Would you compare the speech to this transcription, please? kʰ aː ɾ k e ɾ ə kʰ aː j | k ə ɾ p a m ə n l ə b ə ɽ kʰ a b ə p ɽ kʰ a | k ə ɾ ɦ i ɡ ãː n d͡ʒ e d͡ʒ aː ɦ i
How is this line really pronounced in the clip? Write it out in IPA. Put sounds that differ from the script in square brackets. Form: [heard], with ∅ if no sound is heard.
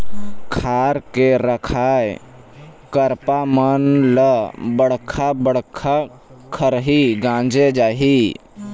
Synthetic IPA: kʰ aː ɾ k e ɾ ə kʰ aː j | k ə ɾ p a m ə n l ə b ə ɽ kʰ a b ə [∅] ɽ kʰ a | [kʰ] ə ɾ ɦ i ɡ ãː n d͡ʒ e d͡ʒ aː ɦ i